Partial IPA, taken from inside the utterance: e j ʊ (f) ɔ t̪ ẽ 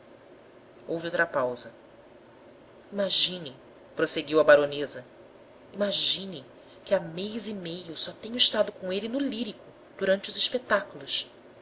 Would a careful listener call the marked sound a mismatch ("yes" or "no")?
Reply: yes